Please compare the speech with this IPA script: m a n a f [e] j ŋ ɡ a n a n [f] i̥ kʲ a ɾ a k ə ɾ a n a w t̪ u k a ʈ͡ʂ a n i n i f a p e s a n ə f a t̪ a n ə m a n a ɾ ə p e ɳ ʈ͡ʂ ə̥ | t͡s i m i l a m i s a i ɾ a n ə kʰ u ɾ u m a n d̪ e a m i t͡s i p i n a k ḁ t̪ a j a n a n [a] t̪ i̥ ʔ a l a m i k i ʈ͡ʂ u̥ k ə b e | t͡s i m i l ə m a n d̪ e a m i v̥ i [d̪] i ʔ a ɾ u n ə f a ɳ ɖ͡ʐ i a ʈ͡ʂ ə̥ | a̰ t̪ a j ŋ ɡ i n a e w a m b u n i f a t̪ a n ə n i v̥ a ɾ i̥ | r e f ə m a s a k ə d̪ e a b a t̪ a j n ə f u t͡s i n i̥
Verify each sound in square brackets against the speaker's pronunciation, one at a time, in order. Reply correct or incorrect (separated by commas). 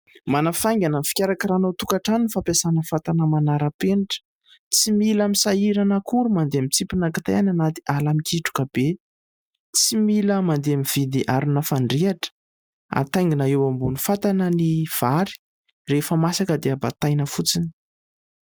incorrect, correct, correct, correct